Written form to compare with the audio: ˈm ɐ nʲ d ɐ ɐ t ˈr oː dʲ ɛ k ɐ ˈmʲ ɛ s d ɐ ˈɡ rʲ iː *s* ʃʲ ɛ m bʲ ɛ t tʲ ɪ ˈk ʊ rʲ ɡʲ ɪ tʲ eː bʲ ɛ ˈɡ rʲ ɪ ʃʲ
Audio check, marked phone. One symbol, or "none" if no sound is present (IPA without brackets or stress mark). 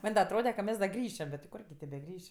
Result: none